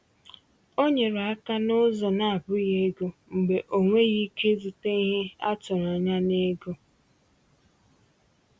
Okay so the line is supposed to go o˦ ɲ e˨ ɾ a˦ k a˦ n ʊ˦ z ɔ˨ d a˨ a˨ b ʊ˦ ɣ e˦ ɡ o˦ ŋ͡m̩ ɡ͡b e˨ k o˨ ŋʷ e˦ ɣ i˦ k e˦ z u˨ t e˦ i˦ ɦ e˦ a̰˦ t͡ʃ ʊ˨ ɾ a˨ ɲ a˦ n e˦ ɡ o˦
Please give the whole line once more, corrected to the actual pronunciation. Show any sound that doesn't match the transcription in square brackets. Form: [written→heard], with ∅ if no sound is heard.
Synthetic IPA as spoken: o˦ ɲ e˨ ɾ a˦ k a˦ n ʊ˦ z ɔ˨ [d→n] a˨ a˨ b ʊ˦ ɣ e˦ ɡ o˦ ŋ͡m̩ ɡ͡b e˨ [k→ʔ] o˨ ŋʷ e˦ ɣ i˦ k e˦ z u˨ t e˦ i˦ ɦ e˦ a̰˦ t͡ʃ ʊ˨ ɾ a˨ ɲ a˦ n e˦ ɡ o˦